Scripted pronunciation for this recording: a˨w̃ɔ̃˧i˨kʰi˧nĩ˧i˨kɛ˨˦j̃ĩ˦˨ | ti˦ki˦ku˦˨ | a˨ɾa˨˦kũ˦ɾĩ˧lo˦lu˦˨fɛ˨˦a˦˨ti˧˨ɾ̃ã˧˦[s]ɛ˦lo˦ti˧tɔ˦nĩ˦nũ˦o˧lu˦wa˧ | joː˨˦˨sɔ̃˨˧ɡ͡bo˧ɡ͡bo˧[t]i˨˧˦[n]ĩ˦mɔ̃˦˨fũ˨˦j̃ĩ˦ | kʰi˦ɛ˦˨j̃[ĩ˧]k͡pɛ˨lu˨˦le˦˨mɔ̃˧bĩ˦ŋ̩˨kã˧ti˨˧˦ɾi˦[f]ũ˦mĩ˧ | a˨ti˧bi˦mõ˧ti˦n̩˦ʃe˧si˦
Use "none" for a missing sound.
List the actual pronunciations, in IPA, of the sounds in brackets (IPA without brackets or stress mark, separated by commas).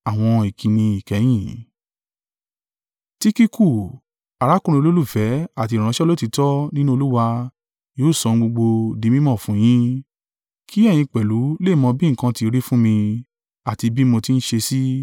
ʃ, d, m, ĩ˧, f